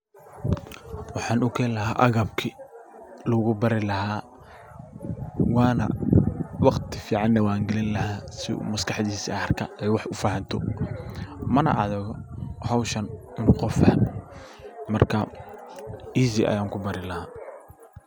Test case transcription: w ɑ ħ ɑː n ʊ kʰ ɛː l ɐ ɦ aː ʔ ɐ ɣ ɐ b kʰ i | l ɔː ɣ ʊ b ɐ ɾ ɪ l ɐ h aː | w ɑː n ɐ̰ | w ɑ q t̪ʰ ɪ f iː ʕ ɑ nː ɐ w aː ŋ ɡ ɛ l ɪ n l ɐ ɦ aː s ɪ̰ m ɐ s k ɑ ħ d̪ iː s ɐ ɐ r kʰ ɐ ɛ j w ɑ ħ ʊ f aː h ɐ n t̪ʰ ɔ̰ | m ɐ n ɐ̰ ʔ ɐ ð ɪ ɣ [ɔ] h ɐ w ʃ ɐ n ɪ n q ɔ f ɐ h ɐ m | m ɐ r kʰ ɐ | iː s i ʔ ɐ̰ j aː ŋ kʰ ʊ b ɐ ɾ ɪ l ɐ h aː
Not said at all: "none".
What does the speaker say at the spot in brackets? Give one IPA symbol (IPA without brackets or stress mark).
ɔ